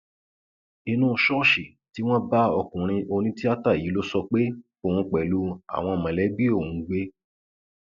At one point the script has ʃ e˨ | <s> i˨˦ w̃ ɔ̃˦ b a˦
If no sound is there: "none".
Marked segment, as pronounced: t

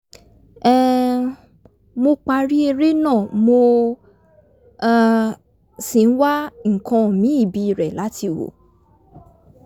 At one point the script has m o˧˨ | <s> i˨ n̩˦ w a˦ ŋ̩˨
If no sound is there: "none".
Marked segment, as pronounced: s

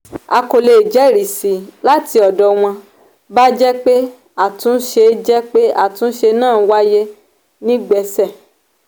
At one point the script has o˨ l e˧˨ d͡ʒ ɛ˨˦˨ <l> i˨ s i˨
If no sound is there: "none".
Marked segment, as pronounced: ɾ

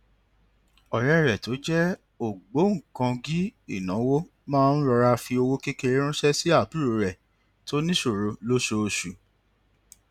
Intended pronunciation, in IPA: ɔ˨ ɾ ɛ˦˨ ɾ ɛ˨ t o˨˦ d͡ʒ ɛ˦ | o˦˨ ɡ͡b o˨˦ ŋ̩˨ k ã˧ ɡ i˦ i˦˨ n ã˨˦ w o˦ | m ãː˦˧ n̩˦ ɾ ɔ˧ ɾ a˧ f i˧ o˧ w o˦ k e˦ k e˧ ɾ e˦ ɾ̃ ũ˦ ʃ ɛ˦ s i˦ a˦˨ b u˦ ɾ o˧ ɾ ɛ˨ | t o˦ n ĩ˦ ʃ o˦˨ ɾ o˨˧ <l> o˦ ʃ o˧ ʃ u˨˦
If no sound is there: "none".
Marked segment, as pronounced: l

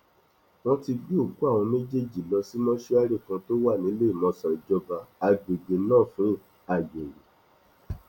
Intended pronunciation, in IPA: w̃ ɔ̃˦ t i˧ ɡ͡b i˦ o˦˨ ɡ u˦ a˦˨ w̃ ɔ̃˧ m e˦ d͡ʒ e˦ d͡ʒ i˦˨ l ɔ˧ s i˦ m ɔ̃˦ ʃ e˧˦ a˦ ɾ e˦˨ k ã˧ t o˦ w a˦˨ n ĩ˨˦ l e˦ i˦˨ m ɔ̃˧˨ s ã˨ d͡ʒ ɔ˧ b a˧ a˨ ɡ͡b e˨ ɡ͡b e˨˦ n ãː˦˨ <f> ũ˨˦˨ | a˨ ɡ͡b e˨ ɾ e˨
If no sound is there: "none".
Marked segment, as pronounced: f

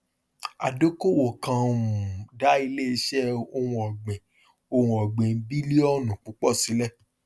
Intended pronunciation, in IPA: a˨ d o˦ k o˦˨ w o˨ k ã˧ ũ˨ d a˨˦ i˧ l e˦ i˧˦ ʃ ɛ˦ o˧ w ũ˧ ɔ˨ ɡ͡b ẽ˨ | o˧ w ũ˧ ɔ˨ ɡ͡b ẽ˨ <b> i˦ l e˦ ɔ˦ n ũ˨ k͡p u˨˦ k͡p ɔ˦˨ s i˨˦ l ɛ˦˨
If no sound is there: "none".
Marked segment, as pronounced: b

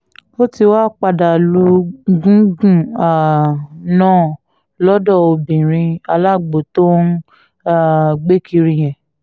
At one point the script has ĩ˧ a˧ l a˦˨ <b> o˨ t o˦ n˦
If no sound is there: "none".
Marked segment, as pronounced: ɡ͡b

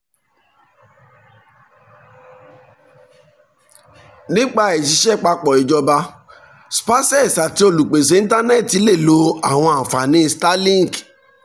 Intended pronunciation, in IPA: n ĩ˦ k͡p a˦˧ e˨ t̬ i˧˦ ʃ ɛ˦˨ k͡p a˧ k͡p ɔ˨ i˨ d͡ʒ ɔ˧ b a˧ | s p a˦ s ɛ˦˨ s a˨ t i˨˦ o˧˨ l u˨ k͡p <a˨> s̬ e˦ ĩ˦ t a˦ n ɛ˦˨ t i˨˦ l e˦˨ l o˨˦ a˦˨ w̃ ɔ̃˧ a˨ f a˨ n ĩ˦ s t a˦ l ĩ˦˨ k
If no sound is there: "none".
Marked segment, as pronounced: e˨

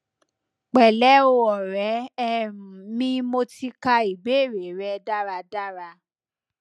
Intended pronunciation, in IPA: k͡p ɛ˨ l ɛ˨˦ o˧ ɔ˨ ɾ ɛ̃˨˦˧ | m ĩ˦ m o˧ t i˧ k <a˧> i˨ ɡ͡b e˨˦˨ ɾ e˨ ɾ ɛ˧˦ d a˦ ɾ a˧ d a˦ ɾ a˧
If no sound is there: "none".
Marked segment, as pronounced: a˧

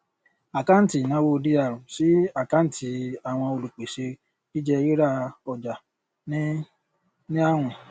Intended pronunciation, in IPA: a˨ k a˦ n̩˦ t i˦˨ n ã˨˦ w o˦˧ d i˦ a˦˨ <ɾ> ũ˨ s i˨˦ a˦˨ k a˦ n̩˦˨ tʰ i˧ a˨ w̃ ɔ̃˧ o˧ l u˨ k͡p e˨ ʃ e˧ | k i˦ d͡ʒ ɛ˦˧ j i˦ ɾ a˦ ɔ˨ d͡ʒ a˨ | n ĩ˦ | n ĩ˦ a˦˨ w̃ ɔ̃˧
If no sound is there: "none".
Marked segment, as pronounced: ɾ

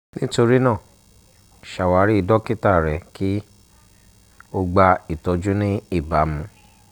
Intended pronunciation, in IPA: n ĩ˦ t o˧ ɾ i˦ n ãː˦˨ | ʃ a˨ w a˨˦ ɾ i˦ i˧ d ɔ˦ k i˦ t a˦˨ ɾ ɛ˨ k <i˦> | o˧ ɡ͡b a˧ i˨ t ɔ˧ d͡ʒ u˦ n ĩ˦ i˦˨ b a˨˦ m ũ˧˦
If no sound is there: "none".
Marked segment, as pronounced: i˦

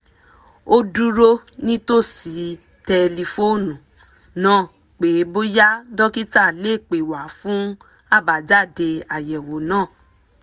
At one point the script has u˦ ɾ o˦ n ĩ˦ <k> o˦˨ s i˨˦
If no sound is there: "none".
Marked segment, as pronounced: t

